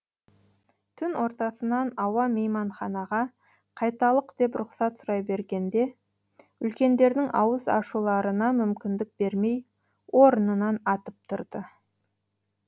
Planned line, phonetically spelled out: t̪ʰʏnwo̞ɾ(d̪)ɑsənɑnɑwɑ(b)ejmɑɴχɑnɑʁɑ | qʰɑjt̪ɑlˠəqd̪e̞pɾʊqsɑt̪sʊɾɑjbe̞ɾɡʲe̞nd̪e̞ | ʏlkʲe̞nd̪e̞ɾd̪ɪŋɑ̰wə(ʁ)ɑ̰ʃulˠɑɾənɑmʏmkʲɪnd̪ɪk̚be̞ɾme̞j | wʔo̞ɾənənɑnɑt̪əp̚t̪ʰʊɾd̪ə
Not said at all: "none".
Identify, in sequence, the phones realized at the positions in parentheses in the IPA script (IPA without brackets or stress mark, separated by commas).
t̪, m, z